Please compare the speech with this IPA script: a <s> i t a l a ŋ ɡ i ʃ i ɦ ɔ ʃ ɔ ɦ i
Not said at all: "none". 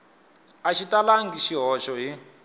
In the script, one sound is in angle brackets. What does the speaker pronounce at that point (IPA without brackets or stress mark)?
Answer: ʃ